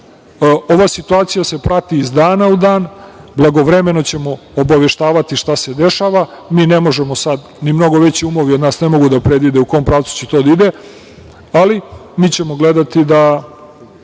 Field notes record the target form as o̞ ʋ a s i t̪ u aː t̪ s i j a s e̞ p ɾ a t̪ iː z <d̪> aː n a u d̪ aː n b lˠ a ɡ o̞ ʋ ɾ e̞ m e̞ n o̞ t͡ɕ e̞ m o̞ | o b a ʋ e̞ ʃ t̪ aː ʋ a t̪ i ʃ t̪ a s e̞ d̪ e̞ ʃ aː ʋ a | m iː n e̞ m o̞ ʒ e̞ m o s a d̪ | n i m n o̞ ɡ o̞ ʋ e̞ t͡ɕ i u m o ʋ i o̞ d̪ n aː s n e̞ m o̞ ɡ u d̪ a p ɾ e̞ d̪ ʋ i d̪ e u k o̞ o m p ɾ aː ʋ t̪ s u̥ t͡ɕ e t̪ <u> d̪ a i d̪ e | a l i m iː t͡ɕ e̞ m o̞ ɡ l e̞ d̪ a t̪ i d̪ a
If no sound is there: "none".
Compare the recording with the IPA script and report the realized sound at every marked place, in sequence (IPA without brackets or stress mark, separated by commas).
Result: d̪, o